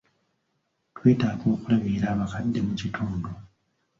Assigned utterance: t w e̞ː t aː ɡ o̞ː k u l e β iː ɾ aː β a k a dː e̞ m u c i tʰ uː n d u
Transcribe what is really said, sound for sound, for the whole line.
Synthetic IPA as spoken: t w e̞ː t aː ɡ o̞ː k u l a β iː ɾ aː β a k a dː e̞ m u c i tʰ uː n d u